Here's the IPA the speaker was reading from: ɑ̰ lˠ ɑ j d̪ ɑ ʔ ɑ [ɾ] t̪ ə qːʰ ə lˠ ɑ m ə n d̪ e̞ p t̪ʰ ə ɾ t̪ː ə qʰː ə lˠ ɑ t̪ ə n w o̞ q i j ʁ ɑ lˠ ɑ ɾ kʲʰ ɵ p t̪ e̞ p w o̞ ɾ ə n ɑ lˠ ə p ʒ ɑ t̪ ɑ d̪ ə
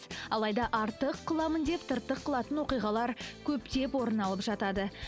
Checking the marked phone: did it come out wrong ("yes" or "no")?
no